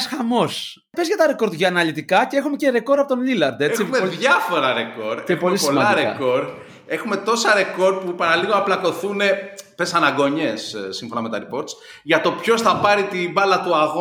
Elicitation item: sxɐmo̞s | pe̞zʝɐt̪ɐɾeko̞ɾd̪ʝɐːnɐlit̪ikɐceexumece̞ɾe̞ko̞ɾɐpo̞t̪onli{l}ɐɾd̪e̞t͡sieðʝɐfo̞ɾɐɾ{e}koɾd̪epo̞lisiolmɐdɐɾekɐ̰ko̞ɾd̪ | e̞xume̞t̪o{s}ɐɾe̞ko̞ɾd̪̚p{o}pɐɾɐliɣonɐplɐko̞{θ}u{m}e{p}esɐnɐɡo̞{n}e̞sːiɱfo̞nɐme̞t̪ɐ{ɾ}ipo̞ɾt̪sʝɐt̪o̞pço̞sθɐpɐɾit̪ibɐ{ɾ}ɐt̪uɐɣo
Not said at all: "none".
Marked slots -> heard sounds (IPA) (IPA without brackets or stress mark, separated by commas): l, e, s, u, θ, n, p, ɲ, ɾ, l